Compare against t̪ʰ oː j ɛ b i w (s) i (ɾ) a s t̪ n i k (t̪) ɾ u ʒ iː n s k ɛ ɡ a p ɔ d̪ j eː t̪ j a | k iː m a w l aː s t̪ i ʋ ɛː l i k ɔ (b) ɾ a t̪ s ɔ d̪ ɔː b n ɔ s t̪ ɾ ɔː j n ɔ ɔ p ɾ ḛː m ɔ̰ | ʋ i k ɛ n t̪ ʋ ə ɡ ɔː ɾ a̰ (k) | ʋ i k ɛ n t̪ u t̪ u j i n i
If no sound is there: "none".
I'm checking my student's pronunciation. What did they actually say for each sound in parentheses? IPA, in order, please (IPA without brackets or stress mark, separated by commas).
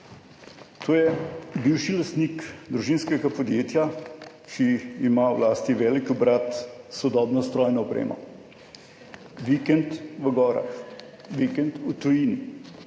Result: ʃ, l, d̪, b, x